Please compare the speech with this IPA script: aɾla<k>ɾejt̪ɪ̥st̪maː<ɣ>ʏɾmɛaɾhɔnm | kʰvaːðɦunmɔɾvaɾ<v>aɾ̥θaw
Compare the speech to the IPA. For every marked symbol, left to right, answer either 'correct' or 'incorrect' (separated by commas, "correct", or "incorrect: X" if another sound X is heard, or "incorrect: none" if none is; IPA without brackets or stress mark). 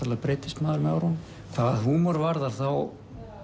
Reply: incorrect: p, incorrect: ð, incorrect: ð